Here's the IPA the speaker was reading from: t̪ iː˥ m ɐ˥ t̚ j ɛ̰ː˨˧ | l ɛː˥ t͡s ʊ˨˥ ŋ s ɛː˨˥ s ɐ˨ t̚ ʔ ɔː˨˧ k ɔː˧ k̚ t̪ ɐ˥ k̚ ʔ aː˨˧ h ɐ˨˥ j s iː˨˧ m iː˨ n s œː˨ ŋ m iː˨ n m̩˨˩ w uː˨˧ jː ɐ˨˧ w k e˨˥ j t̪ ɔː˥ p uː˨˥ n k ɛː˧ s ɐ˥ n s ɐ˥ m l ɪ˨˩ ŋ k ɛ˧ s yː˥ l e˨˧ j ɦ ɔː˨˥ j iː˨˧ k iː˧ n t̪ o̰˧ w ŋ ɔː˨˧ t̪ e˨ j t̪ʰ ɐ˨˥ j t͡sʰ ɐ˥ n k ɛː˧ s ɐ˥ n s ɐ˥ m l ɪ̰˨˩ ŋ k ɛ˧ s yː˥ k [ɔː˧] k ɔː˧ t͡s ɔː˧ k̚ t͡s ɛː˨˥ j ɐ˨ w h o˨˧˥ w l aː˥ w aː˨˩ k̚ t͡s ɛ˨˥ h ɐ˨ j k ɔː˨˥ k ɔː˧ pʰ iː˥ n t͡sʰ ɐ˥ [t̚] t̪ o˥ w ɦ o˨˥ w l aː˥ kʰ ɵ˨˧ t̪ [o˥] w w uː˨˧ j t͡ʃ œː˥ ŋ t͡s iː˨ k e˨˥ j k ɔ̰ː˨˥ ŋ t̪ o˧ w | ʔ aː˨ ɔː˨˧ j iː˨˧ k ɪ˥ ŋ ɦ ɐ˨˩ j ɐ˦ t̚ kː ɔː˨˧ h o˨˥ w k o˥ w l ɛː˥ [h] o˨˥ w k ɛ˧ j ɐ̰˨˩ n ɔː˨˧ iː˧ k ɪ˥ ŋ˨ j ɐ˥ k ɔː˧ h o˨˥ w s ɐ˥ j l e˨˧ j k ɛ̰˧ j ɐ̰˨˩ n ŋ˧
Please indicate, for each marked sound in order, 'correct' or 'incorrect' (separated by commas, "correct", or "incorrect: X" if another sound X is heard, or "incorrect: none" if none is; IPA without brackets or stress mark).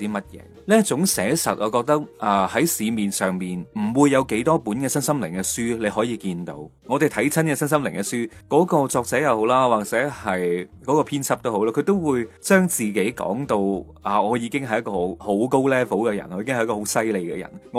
incorrect: ɔː˨˥, incorrect: p̚, correct, incorrect: f